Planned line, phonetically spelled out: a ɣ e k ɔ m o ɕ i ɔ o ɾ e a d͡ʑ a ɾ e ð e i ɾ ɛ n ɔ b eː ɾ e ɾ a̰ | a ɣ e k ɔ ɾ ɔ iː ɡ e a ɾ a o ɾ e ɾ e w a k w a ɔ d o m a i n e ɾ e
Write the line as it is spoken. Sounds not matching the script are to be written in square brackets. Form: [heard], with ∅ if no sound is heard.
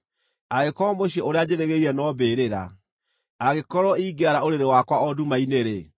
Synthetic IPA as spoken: a ɣ e k ɔ m o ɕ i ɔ o ɾ e a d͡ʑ [e] ɾ e [ɣ] e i ɾ ɛ n ɔ b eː ɾ e ɾ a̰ | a ɣ e k ɔ ɾ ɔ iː ɡ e a ɾ a o ɾ e ɾ e w a k w a ɔ d [u] m a i n e ɾ e